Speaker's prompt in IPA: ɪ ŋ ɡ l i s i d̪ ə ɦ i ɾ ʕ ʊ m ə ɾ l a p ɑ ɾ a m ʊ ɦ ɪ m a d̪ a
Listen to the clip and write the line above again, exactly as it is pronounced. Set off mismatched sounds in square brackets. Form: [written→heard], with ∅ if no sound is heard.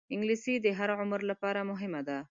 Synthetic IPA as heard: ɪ ŋ ɡ l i s i d̪ ə ɦ [i→a] ɾ ʕ ʊ m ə ɾ l a p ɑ ɾ a m ʊ ɦ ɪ m a d̪ a